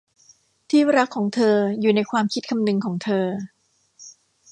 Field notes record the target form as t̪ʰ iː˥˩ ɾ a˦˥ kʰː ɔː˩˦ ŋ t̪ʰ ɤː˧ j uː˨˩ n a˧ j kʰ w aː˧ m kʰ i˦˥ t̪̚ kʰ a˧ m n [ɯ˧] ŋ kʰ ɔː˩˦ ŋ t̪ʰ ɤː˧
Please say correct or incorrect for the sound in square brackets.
correct